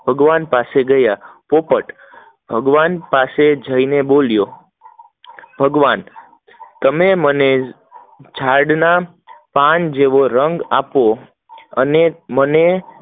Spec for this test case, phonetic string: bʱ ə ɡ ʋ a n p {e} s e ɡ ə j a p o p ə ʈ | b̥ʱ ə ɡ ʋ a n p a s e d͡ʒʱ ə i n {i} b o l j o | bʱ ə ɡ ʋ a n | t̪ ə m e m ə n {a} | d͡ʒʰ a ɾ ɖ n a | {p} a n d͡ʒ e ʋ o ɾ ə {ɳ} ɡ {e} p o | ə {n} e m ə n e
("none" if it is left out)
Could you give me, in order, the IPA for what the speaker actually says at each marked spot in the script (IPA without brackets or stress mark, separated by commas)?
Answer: a, e, e, p, ŋ, a, n